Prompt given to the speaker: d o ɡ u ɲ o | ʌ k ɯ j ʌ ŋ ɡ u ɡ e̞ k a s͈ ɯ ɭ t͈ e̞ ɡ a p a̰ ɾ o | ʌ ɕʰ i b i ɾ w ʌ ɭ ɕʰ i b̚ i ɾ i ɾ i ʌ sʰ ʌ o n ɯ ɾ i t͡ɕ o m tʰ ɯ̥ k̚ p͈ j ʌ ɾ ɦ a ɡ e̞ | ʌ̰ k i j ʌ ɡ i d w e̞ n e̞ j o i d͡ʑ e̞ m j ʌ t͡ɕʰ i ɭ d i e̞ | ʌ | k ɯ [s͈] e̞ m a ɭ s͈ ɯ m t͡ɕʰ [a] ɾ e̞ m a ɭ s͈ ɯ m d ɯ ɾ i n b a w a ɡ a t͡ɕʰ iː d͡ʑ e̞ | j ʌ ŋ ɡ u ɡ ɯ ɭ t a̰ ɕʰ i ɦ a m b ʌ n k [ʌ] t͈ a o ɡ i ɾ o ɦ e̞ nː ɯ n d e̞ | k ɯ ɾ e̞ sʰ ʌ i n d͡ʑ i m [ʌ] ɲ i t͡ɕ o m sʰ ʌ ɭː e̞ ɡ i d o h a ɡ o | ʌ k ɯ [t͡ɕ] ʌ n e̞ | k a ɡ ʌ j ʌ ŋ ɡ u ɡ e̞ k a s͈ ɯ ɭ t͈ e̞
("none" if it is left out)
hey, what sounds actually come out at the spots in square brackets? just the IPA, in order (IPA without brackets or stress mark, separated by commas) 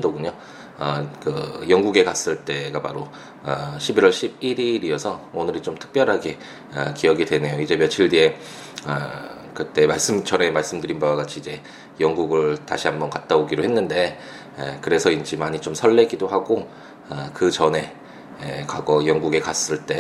t͈, ʌ, a, a, t͡ɕ